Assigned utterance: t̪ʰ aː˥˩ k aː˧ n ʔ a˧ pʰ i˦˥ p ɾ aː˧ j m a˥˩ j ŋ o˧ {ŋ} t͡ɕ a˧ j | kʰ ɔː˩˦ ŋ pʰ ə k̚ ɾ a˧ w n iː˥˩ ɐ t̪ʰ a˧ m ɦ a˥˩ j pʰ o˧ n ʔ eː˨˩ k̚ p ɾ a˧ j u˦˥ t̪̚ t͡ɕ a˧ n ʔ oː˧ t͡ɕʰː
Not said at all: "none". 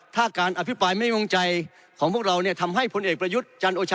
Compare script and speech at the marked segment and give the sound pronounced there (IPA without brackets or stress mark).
ŋ